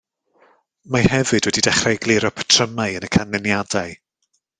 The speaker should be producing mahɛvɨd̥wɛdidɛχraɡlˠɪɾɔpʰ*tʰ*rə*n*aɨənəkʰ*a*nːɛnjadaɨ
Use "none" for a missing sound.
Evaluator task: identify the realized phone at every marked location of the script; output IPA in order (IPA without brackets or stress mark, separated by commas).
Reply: tʰ, m, a